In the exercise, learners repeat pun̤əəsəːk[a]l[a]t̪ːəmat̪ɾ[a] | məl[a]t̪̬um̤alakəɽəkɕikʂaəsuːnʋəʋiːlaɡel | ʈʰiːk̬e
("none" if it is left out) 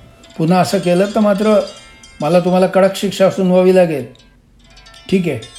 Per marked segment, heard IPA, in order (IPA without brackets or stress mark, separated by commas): e, ə, ə, a